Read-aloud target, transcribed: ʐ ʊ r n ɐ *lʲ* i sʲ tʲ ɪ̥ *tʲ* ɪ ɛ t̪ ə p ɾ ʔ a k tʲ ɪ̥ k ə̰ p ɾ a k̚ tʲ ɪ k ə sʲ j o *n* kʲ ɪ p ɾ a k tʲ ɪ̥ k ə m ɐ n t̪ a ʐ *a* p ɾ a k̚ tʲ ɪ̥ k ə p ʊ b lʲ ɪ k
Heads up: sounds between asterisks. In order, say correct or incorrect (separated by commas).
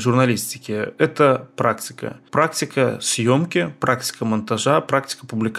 correct, incorrect, incorrect, correct